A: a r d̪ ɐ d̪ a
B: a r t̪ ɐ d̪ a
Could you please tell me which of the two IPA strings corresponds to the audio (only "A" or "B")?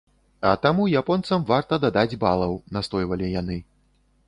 B